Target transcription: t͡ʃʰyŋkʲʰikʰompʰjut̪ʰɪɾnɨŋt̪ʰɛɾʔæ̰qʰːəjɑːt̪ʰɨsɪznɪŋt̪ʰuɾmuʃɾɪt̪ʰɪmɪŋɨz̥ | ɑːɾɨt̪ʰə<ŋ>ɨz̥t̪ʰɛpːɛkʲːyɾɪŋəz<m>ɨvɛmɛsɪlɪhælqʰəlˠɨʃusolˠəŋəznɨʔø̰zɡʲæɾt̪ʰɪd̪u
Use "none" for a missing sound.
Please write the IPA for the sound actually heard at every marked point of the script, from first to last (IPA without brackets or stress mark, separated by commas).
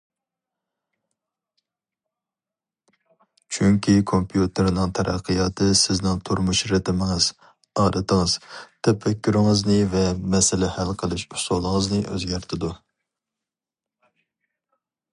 ŋ, n